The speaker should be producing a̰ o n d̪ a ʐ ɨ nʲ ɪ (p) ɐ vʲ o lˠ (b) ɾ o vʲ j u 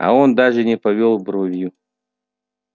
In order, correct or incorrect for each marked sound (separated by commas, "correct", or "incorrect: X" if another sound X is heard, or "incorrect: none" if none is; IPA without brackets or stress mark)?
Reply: correct, correct